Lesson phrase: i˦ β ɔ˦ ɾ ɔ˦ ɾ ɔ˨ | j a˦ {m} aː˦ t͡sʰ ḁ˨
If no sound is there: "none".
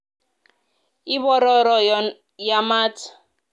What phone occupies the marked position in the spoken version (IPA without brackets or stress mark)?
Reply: m